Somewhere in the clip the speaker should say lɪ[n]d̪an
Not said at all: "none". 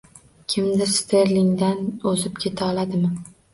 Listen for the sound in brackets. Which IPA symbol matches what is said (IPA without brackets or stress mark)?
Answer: ŋ